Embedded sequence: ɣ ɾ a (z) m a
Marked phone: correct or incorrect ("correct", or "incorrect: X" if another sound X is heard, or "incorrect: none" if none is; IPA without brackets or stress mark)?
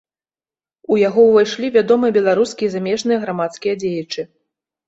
incorrect: none